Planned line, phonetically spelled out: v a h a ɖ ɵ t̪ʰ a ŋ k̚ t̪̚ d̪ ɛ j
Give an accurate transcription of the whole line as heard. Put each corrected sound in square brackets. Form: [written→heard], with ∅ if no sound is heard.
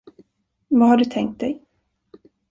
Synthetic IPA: v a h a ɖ ɵ t̪ʰ [a→ɛ] ŋ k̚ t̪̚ d̪ ɛ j